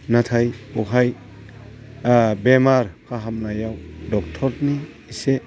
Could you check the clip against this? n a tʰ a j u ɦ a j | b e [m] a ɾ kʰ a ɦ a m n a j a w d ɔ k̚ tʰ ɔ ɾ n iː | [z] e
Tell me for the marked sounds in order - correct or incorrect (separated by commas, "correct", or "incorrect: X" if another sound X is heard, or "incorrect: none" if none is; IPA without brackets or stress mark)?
correct, incorrect: s